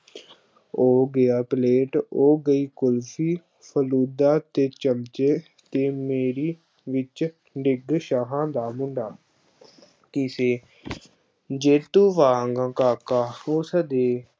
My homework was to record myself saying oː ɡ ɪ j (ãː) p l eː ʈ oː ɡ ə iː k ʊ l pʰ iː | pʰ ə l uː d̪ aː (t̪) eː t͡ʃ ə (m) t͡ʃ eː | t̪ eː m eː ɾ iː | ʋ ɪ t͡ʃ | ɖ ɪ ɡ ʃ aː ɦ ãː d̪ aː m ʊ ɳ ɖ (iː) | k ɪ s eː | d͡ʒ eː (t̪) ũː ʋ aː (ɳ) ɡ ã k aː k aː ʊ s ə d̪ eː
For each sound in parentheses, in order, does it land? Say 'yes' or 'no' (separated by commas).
no, yes, yes, no, yes, no